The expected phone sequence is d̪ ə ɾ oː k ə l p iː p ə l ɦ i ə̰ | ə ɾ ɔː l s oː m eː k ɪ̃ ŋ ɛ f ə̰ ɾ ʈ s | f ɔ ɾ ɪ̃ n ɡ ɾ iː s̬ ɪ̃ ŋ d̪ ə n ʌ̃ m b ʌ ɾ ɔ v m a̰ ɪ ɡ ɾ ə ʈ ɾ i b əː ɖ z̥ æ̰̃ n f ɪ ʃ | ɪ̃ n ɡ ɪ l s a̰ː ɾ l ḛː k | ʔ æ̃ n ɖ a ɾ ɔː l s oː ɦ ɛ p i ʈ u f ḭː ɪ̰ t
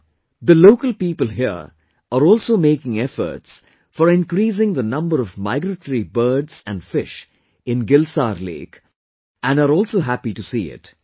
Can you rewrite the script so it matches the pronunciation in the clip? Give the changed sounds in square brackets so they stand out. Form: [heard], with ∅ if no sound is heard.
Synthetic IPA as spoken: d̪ ə [l] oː k ə l p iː p ə l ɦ i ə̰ | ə ɾ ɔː l s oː m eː k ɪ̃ ŋ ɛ f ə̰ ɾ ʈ s | f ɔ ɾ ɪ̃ n [k] ɾ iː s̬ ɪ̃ ŋ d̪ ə n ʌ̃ m b [ə] ɾ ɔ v m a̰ ɪ ɡ ɾ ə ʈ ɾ i b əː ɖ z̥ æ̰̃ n f ɪ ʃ | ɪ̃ n ɡ ɪ l s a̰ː ɾ l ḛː k | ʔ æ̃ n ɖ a ɾ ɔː l s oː ɦ [æ] p i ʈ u [s] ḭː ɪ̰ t